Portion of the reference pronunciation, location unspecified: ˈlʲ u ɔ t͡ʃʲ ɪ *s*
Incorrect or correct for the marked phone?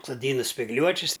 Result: correct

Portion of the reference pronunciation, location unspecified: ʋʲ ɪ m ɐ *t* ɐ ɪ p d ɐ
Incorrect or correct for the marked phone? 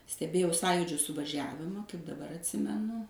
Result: incorrect: k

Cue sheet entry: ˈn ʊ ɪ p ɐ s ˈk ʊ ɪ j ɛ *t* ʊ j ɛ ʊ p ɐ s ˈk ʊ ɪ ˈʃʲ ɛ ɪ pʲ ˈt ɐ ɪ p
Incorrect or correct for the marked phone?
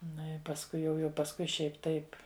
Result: incorrect: none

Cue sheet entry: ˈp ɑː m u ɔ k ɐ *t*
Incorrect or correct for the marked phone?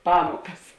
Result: incorrect: s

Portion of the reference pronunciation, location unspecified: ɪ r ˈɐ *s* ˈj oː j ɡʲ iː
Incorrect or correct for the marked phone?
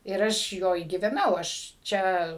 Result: incorrect: ʃ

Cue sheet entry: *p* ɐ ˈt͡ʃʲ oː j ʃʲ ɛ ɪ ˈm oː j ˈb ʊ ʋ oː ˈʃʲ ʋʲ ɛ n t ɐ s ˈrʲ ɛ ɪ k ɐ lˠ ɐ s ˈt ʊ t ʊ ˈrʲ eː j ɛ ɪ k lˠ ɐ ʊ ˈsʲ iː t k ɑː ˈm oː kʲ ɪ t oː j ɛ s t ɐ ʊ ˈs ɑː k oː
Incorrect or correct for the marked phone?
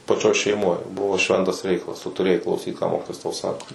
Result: correct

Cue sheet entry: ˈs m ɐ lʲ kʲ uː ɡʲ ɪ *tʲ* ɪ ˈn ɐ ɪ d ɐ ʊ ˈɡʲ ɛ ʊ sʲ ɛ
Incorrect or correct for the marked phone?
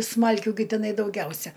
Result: correct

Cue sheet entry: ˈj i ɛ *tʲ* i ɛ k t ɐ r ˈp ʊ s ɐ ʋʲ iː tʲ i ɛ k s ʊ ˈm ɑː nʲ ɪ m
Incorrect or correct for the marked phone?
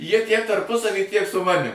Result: correct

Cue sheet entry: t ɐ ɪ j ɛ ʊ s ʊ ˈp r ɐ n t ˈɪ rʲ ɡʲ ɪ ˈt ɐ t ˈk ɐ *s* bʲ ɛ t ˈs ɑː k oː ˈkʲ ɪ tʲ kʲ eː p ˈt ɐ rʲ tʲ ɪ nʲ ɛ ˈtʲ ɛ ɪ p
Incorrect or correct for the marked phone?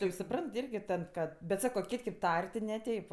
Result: incorrect: t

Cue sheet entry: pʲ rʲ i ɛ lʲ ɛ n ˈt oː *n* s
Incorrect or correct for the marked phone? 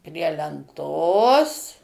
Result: incorrect: none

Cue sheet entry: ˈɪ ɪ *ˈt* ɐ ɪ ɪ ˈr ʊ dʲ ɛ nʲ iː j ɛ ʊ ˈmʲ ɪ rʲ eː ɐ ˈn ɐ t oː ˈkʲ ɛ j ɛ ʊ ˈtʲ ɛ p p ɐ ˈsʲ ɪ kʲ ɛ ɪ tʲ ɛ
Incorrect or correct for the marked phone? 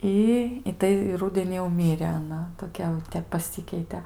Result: correct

